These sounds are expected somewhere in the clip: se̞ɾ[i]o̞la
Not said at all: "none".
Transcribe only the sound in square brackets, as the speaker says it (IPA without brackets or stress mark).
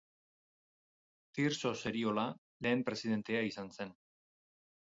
i